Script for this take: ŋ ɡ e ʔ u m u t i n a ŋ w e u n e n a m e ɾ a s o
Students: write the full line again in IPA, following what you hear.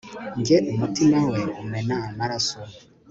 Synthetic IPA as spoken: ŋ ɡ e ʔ u m u t i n a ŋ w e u m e n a m a ɾ a s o